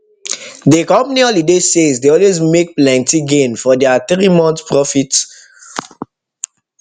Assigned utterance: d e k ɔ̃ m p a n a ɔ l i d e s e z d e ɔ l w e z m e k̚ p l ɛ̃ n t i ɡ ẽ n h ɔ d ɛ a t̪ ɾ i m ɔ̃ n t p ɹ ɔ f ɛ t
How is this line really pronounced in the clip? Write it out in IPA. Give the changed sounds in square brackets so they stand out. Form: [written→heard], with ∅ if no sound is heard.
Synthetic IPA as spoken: d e k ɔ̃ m p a n [a→i] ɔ l i d e s e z d e ɔ l w e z m e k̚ p l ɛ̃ n t i ɡ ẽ n [h→f] ɔ d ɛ a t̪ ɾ i m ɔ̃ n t p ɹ ɔ f [ɛ→i] t